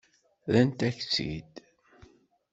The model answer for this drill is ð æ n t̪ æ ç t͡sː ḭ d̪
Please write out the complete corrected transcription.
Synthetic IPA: ð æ n t̪ æ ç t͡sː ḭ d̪